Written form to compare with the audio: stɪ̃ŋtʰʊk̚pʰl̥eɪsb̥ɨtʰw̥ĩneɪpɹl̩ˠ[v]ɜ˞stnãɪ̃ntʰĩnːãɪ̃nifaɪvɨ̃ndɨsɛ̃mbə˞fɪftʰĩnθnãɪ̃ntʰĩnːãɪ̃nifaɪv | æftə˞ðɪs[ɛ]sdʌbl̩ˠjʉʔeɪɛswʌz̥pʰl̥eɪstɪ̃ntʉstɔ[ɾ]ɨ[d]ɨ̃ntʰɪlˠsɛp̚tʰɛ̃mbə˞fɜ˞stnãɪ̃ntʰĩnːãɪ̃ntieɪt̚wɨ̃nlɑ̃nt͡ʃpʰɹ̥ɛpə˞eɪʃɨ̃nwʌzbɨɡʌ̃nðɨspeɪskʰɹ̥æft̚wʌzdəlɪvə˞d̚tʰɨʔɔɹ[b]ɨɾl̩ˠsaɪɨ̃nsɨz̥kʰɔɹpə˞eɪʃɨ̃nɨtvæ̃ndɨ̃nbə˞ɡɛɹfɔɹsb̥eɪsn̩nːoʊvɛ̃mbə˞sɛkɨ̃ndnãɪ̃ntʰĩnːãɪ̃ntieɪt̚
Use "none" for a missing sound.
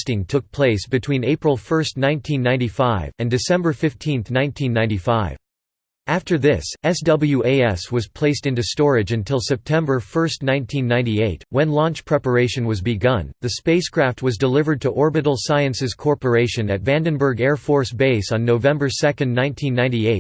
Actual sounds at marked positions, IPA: f, ɛ, ɹ, d͡ʒ, b

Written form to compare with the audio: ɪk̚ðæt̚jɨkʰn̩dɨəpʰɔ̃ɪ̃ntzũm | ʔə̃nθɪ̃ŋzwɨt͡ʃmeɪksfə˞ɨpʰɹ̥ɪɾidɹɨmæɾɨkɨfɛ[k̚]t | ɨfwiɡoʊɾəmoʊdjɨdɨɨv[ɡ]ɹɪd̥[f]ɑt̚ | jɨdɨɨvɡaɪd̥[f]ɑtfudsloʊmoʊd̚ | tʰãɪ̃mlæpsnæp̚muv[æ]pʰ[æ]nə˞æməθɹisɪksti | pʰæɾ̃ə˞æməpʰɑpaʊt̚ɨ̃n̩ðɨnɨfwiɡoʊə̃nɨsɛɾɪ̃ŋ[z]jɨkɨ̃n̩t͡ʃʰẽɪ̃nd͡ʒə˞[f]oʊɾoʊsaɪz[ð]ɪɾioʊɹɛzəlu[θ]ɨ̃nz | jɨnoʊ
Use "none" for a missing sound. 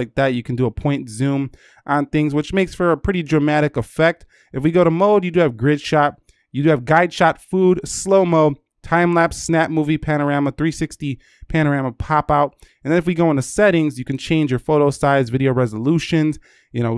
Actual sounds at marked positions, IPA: k̚, ɡ, ʃ, ʃ, i, æ, z, f, v, ʃ

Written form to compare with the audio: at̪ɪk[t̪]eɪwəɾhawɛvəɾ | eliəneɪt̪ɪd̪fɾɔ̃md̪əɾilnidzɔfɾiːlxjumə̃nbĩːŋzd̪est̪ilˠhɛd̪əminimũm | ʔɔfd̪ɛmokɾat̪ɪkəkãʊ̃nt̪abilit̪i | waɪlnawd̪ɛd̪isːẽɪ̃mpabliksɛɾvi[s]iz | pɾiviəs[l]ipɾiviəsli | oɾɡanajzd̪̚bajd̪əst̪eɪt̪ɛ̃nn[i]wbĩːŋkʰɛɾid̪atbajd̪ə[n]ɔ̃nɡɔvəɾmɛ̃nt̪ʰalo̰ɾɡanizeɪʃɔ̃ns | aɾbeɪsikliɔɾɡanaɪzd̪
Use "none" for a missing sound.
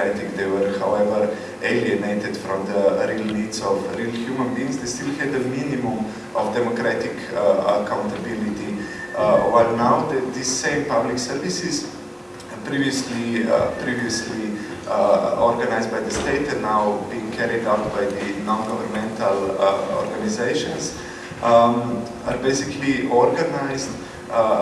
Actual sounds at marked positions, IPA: d̪, s, l, a, n

